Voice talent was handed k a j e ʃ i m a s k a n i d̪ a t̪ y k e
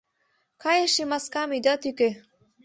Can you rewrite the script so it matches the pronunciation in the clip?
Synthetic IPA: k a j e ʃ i m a s k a m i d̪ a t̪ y k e